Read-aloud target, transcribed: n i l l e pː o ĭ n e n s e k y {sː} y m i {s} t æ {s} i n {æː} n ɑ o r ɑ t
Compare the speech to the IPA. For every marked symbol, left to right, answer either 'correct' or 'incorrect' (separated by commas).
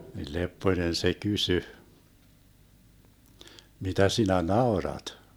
incorrect, incorrect, correct, incorrect